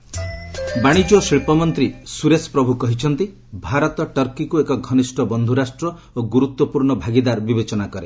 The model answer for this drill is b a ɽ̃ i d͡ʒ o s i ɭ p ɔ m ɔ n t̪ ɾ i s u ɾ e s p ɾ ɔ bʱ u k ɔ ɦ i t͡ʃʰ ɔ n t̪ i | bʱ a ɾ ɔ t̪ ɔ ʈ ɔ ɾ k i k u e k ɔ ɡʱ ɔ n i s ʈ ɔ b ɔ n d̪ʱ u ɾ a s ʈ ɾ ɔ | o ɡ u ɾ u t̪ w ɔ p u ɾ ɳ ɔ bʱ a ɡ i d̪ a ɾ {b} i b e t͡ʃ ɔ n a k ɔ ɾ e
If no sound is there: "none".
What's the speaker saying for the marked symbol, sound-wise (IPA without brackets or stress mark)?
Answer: b